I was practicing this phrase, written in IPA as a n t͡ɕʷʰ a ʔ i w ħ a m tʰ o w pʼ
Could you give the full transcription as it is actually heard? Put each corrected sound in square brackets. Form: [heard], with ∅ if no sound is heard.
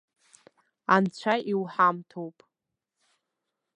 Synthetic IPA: a n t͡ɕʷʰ a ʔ i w ħ a m tʰ o w pʼ